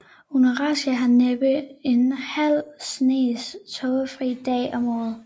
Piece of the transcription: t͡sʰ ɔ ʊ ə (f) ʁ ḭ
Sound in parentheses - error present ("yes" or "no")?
no